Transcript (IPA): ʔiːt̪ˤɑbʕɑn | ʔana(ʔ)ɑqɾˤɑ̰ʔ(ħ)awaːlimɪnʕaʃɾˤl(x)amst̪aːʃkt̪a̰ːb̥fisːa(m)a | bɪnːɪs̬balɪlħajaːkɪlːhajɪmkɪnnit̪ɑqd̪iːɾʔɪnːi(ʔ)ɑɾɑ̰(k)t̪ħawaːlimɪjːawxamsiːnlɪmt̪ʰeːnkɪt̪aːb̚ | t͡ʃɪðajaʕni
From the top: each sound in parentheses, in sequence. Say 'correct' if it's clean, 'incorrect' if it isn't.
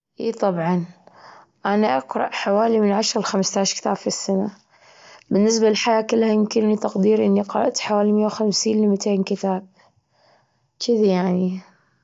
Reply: correct, correct, correct, incorrect, incorrect, incorrect

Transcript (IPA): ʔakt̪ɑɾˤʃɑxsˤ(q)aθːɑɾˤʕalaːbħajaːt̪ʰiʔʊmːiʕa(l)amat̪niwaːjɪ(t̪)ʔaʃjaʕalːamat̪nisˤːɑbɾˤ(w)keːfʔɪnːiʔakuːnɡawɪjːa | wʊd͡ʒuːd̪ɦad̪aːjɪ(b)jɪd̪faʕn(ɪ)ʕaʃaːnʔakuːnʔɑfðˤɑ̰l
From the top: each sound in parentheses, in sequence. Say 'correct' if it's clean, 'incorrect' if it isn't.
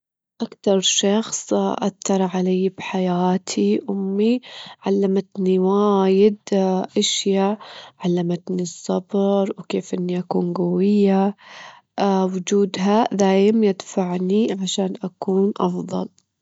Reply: incorrect, incorrect, incorrect, correct, incorrect, incorrect

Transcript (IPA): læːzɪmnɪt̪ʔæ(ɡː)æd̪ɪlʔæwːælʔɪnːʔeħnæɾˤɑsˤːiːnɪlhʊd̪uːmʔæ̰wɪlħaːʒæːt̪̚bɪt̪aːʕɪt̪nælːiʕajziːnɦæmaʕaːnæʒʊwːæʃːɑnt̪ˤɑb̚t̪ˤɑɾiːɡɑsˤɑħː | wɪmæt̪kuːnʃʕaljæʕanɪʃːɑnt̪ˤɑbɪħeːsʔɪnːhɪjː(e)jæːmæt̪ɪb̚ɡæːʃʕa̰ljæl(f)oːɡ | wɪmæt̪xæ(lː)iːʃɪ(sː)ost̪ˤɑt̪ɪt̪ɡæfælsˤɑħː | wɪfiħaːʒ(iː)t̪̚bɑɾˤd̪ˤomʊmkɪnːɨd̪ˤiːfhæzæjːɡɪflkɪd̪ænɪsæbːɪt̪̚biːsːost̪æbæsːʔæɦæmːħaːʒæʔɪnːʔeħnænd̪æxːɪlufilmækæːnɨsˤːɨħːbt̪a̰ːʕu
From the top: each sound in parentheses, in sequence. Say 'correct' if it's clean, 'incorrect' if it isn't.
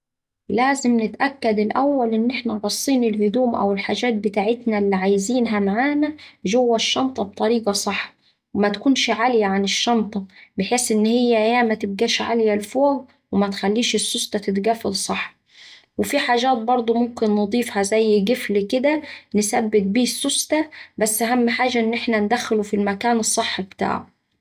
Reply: incorrect, incorrect, correct, correct, correct, incorrect

